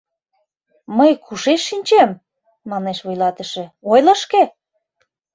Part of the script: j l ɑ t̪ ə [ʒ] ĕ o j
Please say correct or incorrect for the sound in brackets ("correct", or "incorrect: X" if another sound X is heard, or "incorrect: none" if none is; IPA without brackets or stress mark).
incorrect: ʃ